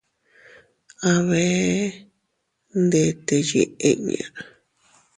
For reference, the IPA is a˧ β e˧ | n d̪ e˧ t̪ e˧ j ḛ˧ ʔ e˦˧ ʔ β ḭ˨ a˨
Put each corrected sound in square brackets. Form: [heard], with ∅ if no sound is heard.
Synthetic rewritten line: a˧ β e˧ | n d̪ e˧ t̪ e˧ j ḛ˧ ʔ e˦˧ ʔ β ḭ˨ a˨